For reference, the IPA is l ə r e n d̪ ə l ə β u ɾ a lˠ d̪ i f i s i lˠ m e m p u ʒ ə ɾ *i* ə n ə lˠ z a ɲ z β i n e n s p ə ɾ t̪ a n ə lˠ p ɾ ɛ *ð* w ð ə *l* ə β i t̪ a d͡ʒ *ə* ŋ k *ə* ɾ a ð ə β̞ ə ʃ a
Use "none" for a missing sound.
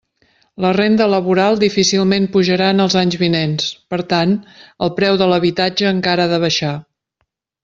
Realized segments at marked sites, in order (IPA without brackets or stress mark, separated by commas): a, none, l, əː, a